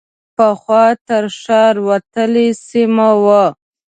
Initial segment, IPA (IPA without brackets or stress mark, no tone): p